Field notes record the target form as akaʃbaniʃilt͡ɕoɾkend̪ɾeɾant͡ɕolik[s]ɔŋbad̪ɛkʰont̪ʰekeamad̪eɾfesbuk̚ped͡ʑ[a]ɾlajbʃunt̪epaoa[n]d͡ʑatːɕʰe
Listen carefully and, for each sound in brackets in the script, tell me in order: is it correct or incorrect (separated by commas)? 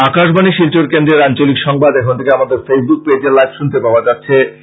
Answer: incorrect, incorrect, incorrect